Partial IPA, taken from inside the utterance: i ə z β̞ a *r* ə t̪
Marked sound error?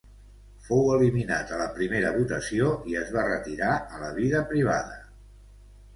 no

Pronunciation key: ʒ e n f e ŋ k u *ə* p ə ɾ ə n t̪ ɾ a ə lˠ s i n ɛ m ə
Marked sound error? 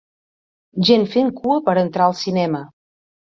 no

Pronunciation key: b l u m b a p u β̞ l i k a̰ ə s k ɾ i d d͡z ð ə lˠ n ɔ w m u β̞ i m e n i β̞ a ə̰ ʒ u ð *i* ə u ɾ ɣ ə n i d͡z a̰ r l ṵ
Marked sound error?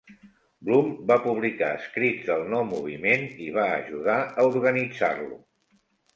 yes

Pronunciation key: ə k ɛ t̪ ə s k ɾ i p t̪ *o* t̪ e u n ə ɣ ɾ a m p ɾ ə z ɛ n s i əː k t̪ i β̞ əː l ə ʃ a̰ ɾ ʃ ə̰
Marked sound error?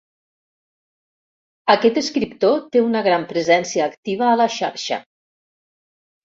no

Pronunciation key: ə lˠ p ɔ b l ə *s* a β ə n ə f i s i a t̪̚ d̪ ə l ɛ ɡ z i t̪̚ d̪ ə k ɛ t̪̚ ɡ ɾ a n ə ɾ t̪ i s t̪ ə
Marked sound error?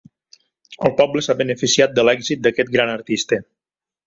no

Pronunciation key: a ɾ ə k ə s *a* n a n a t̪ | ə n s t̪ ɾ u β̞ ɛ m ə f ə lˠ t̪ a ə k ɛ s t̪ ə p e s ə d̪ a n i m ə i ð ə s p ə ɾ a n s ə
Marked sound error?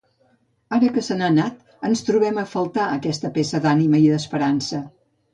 yes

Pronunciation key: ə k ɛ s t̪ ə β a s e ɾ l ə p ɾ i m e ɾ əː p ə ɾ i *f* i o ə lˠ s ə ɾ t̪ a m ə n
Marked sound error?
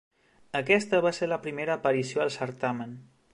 yes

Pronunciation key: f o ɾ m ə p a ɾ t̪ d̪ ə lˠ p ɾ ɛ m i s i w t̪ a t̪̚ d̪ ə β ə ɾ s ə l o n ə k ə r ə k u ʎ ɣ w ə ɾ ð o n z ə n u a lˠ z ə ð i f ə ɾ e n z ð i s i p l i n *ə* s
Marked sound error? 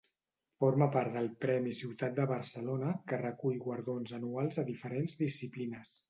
no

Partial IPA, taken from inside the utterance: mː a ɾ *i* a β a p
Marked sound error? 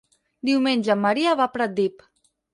no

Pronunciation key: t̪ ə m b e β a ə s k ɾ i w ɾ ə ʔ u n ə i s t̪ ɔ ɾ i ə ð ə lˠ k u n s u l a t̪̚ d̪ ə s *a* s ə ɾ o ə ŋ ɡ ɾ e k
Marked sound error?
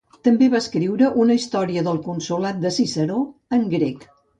yes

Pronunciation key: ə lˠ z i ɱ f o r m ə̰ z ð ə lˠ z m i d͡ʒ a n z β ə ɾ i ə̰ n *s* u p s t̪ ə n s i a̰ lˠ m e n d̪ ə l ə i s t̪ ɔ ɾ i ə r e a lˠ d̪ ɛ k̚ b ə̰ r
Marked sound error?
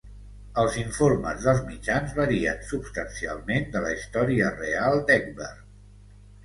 no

